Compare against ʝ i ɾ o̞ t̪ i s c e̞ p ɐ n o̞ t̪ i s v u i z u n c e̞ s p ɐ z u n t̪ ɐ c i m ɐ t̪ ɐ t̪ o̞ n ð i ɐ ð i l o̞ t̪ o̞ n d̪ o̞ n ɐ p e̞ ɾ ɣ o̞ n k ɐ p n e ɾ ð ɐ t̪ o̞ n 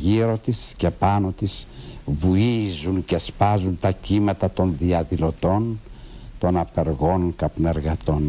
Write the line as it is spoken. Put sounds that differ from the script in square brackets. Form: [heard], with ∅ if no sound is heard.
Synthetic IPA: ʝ i ɾ o̞ t̪ i s c e̞ p ɐ n o̞ t̪ i s v u i z u n c e̞ s p ɐ z u n t̪ ɐ c i m ɐ t̪ ɐ t̪ o̞ n ð i ɐ ð i l o̞ t̪ o̞ n [t̪] o̞ n ɐ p e̞ ɾ ɣ o̞ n k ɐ p n e ɾ [ɣ] ɐ t̪ o̞ n